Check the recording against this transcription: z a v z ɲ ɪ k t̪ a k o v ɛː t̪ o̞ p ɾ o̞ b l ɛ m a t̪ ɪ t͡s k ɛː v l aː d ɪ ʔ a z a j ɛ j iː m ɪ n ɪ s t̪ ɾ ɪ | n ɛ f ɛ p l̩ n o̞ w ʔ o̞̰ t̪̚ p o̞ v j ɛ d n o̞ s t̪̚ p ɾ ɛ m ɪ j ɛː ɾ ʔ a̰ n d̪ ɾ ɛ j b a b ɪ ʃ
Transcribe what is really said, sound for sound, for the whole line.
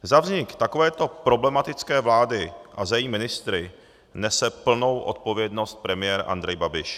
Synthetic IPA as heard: z a v z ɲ ɪ k t̪ a k o v ɛː t̪ o̞ p ɾ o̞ b l ɛ m a t̪ ɪ t͡s k ɛː v l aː d ɪ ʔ a z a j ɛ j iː m ɪ n ɪ s t̪ ɾ ɪ | n ɛ s ɛ p l̩ n o̞ w ʔ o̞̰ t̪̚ p o̞ v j ɛ d n o̞ s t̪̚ p ɾ ɛ m ɪ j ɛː ɾ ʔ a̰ n d̪ ɾ ɛ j b a b ɪ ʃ

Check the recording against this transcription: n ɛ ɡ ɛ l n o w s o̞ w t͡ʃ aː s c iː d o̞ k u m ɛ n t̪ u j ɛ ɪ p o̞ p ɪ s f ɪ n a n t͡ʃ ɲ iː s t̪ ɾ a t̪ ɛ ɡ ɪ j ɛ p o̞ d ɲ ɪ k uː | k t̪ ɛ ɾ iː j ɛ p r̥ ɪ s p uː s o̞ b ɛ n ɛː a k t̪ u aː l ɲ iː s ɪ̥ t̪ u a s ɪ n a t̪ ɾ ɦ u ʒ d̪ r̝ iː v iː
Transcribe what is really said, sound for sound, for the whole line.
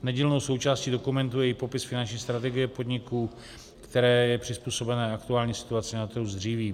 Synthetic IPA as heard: n ɛ ɟ ɛ l n o w s o̞ w t͡ʃ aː s c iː d o̞ k u m ɛ n t̪ u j ɛ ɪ p o̞ p ɪ s f ɪ n a n t͡ʃ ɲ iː s t̪ ɾ a t̪ ɛ ɡ ɪ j ɛ p o̞ d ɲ ɪ k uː | k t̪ ɛ ɾ ɛː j ɛ p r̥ ɪ s p uː s o̞ b ɛ n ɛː a k t̪ u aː l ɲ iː s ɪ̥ t̪ u a t͡s ɪ n a t̪ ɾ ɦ u z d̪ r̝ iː v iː

